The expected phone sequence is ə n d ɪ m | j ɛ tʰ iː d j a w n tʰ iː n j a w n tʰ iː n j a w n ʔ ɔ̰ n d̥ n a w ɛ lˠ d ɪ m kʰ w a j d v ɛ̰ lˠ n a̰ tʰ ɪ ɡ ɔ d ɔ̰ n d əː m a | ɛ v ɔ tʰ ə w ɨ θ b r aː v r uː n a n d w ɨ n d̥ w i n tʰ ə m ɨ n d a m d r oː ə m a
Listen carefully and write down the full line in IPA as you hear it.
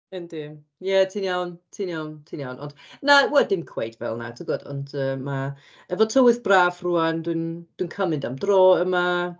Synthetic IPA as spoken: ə n d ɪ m | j ɛ tʰ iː n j a w n tʰ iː n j a w n tʰ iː n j a w n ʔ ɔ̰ n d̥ n a w ɛ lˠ d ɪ m kʰ w e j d v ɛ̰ lˠ n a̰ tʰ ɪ ɡ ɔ d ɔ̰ n d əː m a | ɛ v ɔ tʰ ə w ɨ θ b r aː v r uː a n d w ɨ n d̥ w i n kʰ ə m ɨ n d a m d r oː ə m a